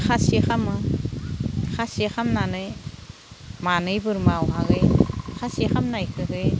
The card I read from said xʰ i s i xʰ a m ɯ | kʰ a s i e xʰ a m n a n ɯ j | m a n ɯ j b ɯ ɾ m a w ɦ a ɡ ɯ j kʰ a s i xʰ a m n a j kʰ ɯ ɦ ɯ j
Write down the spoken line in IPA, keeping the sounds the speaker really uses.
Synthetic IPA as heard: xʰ a s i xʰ a m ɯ | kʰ a s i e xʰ a m n a n ɯ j | m a n ɯ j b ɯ ɾ m a w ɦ a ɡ ɯ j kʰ a s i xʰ a m n a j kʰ ɯ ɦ ɯ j